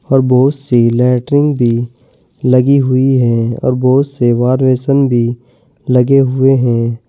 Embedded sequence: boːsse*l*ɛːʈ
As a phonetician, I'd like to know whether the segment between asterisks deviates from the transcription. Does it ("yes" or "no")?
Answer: no